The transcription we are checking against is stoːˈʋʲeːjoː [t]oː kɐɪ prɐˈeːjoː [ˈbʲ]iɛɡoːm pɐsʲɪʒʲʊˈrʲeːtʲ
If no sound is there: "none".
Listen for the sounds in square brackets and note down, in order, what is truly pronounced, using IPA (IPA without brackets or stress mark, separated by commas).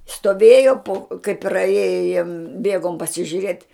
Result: p, bʲ